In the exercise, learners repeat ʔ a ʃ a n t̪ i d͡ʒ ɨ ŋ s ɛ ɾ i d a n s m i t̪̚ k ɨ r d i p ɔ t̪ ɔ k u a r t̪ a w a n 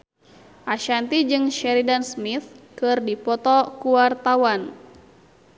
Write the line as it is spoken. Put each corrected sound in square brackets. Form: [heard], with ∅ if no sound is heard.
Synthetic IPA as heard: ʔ a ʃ a n t̪ i d͡ʒ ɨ ŋ [ʃ] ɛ ɾ i d a n s m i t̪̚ k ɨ r d i p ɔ t̪ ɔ k u a r t̪ a w a n